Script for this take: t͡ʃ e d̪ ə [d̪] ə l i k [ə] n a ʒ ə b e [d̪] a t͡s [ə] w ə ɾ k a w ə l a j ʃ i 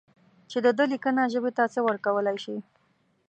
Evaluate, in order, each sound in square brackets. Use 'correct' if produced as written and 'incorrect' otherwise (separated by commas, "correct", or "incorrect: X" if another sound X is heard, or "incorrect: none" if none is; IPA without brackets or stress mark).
correct, correct, incorrect: t̪, correct